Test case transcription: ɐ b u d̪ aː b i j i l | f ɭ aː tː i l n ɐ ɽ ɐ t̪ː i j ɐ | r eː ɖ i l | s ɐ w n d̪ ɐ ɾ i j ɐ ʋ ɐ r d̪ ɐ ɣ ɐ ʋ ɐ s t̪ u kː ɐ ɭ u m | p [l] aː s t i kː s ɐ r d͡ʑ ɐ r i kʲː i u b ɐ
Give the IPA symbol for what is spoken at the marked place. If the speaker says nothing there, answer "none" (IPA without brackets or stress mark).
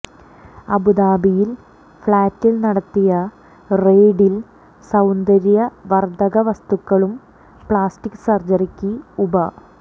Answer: ɭ